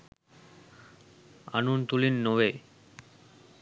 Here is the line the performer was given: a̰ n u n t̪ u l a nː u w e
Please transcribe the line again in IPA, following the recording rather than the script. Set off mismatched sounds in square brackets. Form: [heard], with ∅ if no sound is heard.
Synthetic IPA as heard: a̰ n u n t̪ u l [i] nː [o] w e